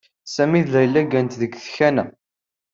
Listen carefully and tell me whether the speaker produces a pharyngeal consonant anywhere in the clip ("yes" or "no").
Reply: no